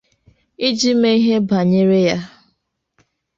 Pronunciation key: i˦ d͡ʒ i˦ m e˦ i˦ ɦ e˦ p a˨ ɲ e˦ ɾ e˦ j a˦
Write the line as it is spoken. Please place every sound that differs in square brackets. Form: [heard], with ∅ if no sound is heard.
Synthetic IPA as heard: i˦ d͡ʒ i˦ m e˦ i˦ ɦ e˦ [b] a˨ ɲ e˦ ɾ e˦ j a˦